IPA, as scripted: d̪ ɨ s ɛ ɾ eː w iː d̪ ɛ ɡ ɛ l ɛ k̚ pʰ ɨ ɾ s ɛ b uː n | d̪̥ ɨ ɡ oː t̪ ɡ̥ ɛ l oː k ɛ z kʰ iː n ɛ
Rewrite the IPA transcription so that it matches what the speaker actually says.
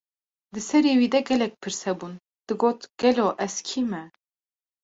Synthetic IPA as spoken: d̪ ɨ s ɛ ɾ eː w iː d̪ ɛ ɡ ɛ l ɛ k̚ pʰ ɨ ɾ s ɛ b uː n | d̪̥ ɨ ɡ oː t̪ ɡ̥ ɛ l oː ʔ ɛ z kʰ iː m ɛ